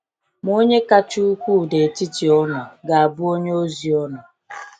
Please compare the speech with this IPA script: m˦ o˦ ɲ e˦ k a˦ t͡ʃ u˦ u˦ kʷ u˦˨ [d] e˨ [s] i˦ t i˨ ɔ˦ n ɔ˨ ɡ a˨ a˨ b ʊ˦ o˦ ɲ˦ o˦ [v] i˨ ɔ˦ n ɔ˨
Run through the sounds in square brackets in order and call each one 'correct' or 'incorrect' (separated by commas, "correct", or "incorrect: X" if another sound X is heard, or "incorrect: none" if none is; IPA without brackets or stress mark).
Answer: correct, incorrect: t, incorrect: z